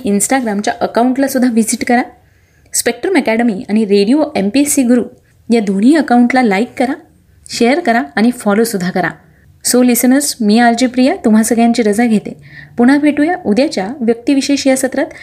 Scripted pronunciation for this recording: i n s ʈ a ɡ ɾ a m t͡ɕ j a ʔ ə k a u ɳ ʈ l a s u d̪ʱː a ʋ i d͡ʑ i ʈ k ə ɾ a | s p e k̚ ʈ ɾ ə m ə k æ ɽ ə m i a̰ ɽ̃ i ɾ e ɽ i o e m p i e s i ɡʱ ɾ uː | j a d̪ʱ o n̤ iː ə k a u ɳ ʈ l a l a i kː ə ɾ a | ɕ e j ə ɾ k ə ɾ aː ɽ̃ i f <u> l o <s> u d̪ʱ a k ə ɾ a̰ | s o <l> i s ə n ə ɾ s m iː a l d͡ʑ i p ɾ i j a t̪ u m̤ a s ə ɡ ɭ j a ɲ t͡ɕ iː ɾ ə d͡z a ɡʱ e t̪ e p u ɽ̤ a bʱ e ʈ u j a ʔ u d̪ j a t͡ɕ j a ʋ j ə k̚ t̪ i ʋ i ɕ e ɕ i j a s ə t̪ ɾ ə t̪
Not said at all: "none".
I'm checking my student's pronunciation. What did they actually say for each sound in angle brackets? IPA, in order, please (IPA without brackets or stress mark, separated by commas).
ɔ, s, l